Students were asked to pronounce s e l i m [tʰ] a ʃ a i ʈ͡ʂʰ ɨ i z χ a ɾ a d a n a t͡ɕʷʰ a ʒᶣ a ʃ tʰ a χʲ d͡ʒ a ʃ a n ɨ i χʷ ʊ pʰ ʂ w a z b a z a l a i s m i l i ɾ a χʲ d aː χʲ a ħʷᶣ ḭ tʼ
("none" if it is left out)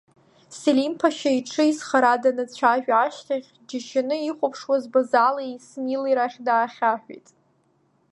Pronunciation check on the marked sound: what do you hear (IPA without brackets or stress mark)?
pʰ